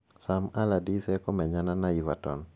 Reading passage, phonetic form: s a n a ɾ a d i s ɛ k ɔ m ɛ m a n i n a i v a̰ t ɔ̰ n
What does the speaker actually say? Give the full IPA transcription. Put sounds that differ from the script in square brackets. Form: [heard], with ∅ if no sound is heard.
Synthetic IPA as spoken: s a [m] a [l] a d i s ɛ k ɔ m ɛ [ɲ] a n [a] n a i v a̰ t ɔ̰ n